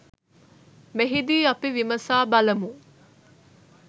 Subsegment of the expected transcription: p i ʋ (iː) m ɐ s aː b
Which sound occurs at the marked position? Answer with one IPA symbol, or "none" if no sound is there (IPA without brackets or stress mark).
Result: i